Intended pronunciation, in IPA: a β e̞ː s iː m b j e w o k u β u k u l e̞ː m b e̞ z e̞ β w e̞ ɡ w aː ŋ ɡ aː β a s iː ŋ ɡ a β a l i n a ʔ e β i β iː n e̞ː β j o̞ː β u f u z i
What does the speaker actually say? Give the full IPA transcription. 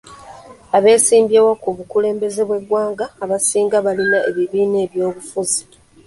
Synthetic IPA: a β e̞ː s iː m b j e w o k u β u k u l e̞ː m b e̞ z e̞ β w e̞ ɡ w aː ŋ ɡ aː β a s iː ŋ ɡ a β a l i n a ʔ e β i β iː n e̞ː β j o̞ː β u f u z i